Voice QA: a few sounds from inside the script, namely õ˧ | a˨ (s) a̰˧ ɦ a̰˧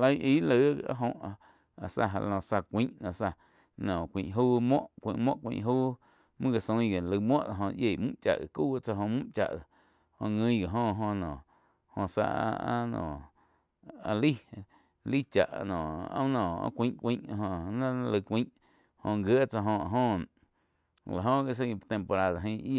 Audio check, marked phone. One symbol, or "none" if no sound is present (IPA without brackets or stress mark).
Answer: s